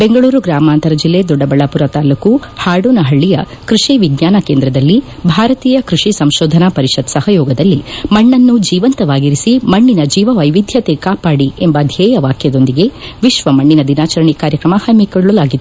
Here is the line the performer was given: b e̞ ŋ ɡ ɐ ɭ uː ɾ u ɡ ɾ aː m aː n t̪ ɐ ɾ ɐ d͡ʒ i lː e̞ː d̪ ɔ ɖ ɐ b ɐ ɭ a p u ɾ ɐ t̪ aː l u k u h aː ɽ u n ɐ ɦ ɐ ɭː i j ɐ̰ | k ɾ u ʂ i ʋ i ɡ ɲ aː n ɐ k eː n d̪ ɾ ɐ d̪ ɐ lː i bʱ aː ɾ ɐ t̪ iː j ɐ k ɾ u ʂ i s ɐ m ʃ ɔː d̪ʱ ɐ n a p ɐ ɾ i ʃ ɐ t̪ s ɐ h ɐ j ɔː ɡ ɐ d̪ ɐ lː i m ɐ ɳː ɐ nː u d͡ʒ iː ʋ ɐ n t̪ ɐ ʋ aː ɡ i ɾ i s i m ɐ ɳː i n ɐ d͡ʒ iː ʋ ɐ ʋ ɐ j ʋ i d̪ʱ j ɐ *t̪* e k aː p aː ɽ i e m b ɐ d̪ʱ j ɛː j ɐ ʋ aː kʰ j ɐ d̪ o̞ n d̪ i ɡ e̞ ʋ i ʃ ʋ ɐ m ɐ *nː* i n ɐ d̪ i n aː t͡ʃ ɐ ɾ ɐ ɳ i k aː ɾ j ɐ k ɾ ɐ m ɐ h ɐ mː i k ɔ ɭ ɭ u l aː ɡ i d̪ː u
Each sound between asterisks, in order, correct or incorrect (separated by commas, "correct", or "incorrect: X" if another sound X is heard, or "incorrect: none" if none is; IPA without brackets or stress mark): correct, incorrect: ɳː